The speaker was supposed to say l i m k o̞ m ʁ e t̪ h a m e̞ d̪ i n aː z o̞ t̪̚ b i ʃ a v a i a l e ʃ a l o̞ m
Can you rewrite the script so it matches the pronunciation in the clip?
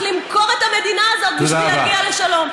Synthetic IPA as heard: l i m k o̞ ʁ e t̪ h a m e̞ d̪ i n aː z o̞ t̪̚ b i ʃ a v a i a l e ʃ a l o̞ m